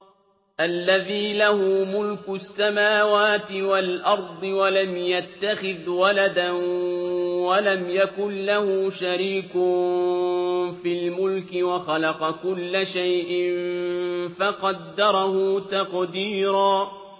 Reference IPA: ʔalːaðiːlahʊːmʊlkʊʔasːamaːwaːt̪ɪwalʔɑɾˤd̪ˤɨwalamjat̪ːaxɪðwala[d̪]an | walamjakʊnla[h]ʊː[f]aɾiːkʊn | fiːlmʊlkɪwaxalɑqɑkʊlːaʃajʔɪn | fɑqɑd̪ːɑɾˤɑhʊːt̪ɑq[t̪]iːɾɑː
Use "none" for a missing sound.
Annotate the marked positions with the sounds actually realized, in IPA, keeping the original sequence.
d̪, h, ʃ, d̪

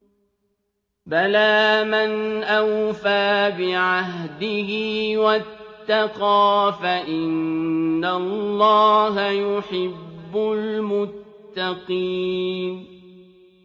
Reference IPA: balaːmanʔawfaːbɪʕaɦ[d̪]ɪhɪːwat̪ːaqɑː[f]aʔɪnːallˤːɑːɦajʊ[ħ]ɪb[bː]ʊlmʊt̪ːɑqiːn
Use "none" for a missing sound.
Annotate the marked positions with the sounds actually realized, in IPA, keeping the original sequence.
d̪, f, ħ, bː

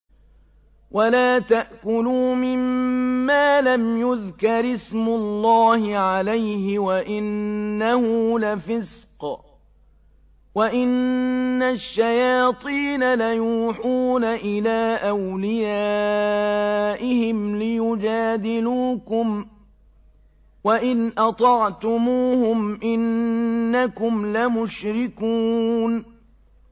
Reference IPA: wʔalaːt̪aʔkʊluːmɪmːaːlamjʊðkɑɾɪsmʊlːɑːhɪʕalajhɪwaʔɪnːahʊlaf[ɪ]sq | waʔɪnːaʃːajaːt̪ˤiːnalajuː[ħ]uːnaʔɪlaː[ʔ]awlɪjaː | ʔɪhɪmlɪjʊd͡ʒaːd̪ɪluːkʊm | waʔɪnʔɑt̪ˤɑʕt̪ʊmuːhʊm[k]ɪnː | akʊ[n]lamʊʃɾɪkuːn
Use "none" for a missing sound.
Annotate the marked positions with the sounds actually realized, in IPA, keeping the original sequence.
ɪ, ħ, ʔ, ʔ, m

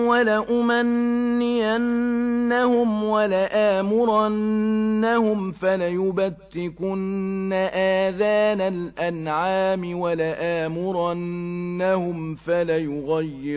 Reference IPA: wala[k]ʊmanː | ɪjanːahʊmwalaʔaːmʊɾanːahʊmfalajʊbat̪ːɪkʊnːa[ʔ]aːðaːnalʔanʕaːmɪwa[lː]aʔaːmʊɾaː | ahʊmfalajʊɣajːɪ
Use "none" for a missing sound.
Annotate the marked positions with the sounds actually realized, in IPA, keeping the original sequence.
ʔ, ʔ, l

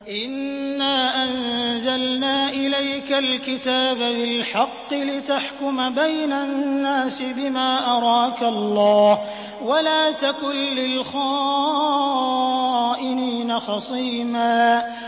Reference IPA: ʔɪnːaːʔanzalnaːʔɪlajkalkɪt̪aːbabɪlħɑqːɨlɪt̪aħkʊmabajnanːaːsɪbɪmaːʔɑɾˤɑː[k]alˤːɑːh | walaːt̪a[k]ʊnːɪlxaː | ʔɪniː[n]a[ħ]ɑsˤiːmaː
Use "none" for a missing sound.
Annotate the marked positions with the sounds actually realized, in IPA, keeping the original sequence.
k, k, n, x

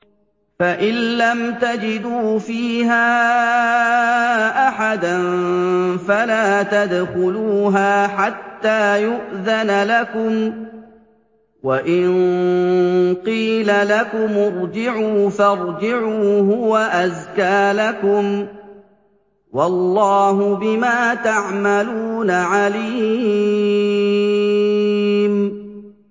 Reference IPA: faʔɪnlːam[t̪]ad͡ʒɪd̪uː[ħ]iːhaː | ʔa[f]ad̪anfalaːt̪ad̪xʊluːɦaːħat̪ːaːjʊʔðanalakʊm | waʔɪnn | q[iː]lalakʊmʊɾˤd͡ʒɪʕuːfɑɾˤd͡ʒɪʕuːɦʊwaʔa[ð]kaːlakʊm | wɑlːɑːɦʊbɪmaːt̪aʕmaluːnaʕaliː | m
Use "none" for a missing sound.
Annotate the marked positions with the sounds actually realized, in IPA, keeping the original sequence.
t̪, f, ħ, iː, z

